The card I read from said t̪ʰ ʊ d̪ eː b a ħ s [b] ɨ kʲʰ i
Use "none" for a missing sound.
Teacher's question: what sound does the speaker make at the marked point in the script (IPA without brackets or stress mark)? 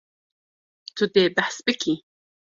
b